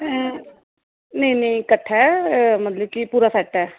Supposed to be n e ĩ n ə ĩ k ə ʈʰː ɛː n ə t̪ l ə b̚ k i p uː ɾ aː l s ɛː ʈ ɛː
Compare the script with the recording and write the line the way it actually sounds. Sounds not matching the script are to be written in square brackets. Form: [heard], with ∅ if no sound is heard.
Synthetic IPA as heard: n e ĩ n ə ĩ k ə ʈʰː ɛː [m] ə t̪ l ə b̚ k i p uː ɾ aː [∅] s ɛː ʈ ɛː

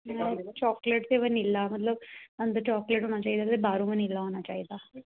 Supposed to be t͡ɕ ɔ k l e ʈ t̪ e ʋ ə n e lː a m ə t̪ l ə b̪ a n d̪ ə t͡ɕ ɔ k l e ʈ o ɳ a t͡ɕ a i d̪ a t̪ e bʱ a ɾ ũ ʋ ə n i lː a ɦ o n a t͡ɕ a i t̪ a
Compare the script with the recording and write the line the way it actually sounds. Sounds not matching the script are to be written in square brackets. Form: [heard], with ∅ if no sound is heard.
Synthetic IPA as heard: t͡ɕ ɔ k l e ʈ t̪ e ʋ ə n [i] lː a m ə t̪ l ə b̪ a n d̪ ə t͡ɕ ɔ k l e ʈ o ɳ a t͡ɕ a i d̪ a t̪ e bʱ a ɾ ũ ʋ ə n i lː a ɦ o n a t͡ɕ a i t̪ a

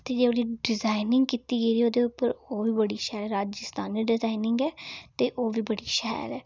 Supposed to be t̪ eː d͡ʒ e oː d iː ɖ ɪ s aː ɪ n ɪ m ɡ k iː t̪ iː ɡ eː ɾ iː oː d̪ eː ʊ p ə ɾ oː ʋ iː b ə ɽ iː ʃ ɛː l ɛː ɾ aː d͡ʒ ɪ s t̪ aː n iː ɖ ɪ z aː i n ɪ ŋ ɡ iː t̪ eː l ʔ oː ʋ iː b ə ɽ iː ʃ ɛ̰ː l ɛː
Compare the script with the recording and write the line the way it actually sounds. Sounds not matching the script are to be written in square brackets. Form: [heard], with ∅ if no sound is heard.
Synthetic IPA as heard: t̪ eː d͡ʒ e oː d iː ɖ ɪ [z] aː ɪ n ɪ [ŋ] ɡ k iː t̪ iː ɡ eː ɾ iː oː d̪ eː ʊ p ə ɾ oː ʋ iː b ə ɽ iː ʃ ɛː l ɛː ɾ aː d͡ʒ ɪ s t̪ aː n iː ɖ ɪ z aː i n ɪ ŋ ɡ [ɛː] t̪ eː [∅] ʔ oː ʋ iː b ə ɽ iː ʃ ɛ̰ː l ɛː

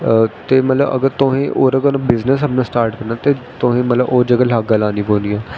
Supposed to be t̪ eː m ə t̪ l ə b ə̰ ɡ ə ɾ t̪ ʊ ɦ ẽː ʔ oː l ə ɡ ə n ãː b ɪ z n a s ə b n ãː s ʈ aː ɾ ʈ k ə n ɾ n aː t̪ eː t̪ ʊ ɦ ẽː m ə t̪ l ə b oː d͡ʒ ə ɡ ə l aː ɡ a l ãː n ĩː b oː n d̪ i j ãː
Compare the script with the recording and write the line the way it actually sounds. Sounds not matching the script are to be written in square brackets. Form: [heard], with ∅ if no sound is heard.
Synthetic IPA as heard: t̪ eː m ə t̪ l ə b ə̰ ɡ ə ɾ t̪ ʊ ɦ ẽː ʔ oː [ɾ] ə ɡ ə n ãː b ɪ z n [ə] s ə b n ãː s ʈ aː ɾ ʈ k ə [∅] ɾ n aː t̪ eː t̪ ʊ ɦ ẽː m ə t̪ l ə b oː d͡ʒ ə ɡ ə l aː ɡ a l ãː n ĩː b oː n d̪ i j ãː

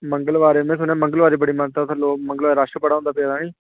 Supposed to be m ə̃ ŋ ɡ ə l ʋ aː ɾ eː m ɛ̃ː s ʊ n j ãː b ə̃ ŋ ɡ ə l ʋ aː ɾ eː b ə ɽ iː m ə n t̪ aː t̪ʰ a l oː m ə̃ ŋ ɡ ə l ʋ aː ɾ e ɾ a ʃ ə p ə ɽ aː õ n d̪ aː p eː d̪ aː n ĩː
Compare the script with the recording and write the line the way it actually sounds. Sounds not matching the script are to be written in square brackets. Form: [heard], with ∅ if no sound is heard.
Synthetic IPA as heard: m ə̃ ŋ ɡ ə l ʋ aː ɾ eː m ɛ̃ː s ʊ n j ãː [m] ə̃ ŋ ɡ ə l ʋ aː ɾ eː b ə ɽ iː m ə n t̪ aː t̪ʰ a l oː m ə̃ ŋ ɡ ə l ʋ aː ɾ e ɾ a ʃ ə p ə ɽ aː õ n d̪ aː p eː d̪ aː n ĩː

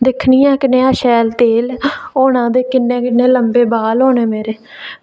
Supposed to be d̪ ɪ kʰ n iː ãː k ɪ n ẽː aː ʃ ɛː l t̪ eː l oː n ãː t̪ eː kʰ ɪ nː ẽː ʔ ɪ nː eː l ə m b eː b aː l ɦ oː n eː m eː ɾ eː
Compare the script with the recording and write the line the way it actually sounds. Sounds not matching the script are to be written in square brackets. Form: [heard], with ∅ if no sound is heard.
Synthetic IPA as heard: d̪ ɪ kʰ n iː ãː k ɪ n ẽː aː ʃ ɛː l t̪ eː l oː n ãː [d̪] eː [k] ɪ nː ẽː [k] ɪ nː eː l ə m b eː b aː l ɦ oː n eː m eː ɾ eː

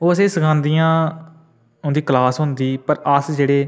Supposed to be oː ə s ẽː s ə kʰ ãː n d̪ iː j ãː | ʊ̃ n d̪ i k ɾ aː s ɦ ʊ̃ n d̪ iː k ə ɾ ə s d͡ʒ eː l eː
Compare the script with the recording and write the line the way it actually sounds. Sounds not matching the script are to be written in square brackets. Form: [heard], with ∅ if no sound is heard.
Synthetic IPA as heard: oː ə s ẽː s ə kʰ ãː n d̪ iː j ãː | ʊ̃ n d̪ [iː] k [l] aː s ɦ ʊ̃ n d̪ iː [p] ə ɾ ə s d͡ʒ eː [ɽ] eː

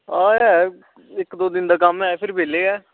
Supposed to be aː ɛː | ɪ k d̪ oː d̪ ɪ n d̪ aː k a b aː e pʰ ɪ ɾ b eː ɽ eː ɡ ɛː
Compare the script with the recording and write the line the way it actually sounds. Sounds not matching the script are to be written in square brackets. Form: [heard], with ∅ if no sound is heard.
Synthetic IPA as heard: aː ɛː | ɪ k d̪ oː d̪ ɪ n d̪ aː k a [m] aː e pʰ ɪ ɾ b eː [l] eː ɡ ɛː

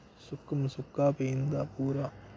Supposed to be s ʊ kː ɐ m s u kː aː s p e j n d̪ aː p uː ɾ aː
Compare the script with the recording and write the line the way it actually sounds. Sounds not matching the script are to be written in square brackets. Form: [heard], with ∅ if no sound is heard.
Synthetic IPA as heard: s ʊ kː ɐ m s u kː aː [∅] p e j n d̪ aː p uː ɾ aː

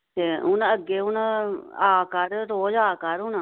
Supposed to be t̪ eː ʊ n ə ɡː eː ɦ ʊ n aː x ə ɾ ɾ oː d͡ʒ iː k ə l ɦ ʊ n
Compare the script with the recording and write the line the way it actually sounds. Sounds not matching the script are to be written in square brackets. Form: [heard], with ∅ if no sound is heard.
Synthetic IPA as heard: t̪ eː ʊ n ə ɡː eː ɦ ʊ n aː [k] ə ɾ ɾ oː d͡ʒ [aː] k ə [ɾ] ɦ ʊ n

